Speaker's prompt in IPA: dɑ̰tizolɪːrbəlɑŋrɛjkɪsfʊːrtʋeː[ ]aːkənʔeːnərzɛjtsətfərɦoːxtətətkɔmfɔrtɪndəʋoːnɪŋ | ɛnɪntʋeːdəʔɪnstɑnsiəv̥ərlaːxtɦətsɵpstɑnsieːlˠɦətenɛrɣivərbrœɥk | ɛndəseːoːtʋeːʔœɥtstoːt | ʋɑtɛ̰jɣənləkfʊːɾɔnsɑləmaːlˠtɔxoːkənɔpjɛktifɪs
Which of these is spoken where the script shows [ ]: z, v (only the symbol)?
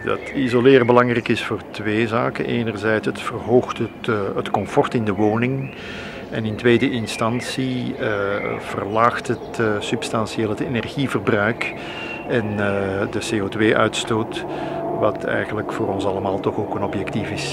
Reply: z